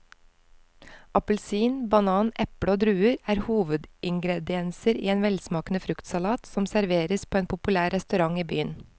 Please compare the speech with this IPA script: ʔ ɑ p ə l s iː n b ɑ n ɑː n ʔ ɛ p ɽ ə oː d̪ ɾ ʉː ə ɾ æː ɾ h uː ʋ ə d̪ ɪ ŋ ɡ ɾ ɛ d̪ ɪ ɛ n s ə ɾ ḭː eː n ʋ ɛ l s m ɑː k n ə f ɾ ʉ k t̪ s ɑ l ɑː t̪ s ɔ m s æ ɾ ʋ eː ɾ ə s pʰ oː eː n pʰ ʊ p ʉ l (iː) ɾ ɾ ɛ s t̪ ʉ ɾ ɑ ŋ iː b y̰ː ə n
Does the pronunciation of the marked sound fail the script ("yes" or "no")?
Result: yes